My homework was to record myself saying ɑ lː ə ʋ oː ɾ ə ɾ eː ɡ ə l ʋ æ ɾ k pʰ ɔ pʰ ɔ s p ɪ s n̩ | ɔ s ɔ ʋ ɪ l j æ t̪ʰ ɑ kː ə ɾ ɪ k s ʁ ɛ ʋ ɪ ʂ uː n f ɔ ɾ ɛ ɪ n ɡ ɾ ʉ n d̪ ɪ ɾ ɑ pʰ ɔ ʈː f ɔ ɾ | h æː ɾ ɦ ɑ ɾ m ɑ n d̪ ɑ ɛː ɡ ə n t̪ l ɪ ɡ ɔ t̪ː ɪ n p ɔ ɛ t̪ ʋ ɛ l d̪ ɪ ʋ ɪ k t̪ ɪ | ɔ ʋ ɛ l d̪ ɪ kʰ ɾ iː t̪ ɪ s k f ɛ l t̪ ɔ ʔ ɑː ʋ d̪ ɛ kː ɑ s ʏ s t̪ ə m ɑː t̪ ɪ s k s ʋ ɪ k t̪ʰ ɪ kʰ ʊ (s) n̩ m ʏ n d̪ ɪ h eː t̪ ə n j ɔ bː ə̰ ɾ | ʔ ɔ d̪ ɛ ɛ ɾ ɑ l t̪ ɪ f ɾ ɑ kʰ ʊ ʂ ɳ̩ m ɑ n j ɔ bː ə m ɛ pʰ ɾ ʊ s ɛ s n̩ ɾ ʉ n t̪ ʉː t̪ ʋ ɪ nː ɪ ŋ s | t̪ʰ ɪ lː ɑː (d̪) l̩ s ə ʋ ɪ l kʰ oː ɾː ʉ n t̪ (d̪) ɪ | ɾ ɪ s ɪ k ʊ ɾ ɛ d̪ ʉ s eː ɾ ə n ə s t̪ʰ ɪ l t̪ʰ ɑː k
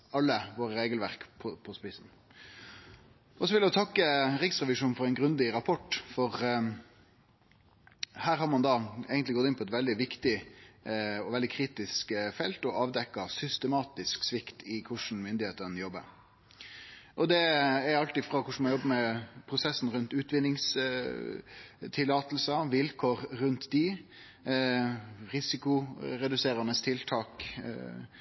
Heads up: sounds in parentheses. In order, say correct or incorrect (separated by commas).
incorrect, incorrect, correct